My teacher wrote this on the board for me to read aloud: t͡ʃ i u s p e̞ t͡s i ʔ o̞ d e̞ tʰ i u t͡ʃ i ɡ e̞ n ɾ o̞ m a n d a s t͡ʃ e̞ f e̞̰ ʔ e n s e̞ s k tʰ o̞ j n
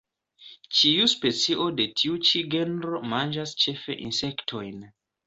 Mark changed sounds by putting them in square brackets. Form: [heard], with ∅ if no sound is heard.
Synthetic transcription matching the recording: t͡ʃ i u s p e̞ t͡s i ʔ o̞ d e̞ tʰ i u t͡ʃ i ɡ e̞ n ɾ o̞ m a n [d͡ʒ] a s t͡ʃ e̞ f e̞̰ ʔ [i] n s e̞ [∅] k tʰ o̞ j n